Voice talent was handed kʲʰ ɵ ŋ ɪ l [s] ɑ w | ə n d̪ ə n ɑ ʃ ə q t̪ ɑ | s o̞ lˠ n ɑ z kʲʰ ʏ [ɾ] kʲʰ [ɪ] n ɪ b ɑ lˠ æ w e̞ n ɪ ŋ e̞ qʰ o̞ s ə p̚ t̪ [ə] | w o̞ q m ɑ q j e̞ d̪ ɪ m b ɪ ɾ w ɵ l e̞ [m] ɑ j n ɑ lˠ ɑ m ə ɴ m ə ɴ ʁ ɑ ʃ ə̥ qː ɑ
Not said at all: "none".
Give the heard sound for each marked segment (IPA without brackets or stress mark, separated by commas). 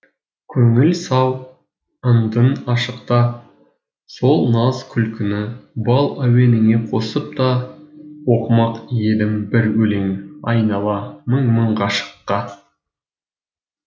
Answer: s, l, ɪ, ɑ, ŋ